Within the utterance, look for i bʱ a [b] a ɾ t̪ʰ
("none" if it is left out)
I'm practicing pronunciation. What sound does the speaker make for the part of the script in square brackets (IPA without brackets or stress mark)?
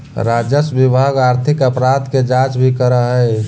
ɡ